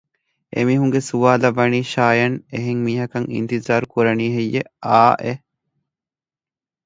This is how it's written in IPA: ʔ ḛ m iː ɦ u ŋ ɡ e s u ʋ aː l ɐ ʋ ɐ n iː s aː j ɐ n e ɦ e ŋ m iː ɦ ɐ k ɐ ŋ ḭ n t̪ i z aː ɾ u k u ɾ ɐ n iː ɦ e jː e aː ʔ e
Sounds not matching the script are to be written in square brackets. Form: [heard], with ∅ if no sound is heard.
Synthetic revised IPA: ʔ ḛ m iː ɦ u ŋ ɡ e s u ʋ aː l ɐ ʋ ɐ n iː [ʃ] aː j ɐ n e ɦ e ŋ m iː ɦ ɐ k ɐ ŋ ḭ n t̪ i z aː ɾ u k u ɾ ɐ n iː ɦ e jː e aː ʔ e